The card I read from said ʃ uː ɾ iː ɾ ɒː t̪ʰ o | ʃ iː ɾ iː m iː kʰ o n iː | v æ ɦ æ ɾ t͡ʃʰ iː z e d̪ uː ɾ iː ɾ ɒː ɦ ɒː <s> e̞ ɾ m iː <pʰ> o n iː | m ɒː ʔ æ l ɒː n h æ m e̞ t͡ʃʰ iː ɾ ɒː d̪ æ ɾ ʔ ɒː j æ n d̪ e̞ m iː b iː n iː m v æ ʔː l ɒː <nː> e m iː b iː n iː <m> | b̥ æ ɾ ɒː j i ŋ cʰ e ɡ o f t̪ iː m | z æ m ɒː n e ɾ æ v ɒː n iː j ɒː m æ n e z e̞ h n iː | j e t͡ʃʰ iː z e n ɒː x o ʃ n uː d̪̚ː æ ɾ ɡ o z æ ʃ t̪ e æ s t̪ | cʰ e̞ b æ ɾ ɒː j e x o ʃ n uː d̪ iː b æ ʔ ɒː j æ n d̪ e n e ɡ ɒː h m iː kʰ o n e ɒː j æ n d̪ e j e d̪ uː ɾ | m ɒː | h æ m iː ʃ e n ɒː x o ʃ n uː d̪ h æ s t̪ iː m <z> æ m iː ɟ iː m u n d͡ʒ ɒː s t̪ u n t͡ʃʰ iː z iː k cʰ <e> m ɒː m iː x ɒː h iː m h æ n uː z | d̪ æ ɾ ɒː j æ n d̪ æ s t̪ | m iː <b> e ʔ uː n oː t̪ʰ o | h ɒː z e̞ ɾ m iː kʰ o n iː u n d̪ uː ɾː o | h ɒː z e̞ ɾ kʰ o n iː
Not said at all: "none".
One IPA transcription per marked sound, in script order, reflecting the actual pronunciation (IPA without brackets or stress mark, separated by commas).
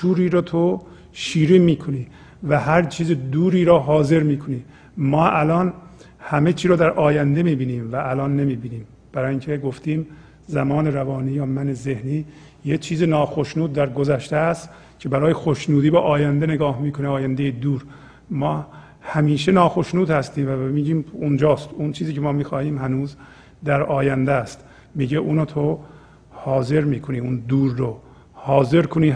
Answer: z, kʰ, nː, m, v, e, ɟ